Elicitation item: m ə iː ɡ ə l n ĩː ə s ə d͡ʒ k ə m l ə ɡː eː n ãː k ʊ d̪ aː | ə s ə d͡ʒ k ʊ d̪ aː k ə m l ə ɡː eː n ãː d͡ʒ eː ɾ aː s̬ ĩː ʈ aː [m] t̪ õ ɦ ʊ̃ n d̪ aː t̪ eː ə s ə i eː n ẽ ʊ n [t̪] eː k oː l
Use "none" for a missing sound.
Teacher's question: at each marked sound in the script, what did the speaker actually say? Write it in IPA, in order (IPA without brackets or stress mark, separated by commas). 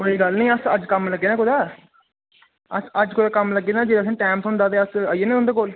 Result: m, d̪